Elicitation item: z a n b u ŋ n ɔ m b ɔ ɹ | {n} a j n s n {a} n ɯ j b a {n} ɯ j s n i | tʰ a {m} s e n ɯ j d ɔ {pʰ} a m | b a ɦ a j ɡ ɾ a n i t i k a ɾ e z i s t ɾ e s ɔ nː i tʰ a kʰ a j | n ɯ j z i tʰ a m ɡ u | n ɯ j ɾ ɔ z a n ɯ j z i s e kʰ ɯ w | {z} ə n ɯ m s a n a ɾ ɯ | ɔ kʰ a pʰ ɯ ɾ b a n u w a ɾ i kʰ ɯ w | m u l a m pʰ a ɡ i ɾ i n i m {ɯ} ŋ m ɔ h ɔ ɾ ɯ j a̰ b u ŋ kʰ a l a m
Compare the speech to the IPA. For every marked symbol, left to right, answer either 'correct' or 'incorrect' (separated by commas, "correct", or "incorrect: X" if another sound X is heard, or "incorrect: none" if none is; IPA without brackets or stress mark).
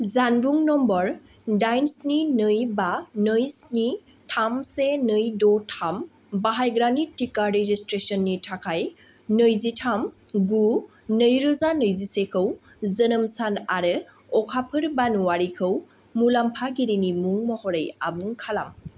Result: incorrect: d, incorrect: i, correct, correct, incorrect: tʰ, correct, incorrect: u